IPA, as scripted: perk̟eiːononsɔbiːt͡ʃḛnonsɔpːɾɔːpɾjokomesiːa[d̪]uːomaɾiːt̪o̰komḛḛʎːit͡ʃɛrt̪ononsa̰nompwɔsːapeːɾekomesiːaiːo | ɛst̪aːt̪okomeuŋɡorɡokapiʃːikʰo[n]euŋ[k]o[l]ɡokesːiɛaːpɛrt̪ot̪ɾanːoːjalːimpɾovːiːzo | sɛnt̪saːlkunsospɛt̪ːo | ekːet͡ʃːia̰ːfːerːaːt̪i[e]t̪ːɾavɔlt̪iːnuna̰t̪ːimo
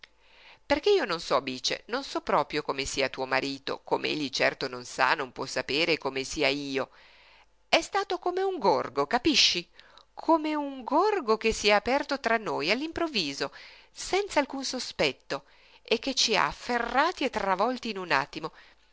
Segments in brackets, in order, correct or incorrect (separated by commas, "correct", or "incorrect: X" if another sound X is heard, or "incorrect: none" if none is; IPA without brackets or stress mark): incorrect: t̪, incorrect: m, incorrect: ɡ, incorrect: r, correct